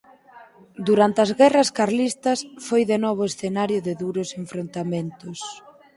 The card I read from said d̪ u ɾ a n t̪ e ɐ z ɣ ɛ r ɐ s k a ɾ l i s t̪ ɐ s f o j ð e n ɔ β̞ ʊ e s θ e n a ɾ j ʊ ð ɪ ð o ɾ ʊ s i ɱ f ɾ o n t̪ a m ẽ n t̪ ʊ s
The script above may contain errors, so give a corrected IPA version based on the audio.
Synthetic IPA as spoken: d̪ u ɾ a n t̪ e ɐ z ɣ ɛ r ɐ s k a ɾ l i s t̪ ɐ s f o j ð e n ɔ β̞ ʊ e s θ e n a ɾ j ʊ ð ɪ ð u ɾ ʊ s e ɱ f ɾ o n t̪ a m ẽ n t̪ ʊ s

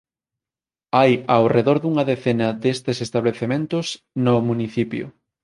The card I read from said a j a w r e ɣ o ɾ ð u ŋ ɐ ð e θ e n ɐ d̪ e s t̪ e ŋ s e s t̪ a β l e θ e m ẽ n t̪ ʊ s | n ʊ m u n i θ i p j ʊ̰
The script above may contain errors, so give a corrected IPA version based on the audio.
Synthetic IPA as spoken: a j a w r e ð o ɾ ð u ŋ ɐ ð e θ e n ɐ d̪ e s t̪ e s e s t̪ a β l e θ e m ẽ n t̪ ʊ s | n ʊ m u n i θ i p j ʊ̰

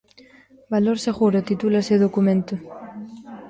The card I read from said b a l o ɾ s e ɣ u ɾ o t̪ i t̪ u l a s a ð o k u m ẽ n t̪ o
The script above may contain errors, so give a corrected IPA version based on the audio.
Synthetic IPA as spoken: b a l o ɾ s e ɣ u ɾ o t̪ i t̪ u l a s e ð o k u m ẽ n t̪ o

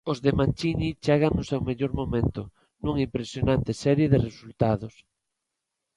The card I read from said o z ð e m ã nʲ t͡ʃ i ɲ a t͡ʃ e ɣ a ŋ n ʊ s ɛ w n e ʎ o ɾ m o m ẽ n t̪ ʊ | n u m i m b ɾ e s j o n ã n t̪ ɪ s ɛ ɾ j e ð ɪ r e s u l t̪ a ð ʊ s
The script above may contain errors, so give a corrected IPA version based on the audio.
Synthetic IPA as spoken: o z ð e m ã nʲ t͡ʃ i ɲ i t͡ʃ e ɣ a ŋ n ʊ s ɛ w m e ʎ o ɾ m o m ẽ n t̪ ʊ | n u ŋ i m p ɾ e s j o n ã n t̪ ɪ s ɛ ɾ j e ð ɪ r e s u l t̪ a ð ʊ s

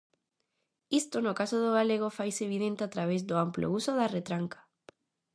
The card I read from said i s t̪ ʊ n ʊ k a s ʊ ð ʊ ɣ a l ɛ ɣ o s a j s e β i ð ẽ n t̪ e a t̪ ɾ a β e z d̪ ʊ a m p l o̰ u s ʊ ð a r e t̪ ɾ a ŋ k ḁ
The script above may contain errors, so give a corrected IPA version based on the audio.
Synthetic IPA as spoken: i s t̪ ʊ n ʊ k a s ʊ ð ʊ ɣ a l e ɣ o f a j s e β i ð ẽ n t̪ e a t̪ ɾ a β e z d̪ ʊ a m p l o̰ u s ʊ ð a r e t̪ ɾ a ŋ k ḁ

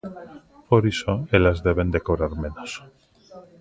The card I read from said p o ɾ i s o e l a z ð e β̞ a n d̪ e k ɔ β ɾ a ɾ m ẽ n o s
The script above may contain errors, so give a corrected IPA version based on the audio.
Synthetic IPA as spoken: p o ɾ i s o e l a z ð e β̞ e n d̪ e k o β ɾ a ɾ m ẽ n o s

